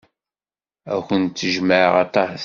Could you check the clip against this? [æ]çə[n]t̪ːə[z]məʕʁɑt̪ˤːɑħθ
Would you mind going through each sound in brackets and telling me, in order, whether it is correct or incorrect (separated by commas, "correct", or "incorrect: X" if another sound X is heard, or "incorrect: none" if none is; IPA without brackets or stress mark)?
correct, correct, incorrect: ʒ